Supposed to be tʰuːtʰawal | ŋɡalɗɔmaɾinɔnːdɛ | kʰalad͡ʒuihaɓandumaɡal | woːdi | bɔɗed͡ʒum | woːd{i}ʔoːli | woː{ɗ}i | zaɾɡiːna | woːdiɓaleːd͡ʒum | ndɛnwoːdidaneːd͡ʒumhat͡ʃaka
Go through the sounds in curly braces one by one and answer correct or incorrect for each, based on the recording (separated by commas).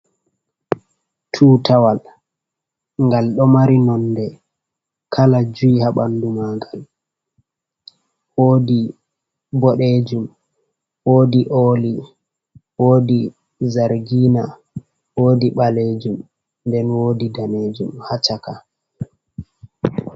correct, incorrect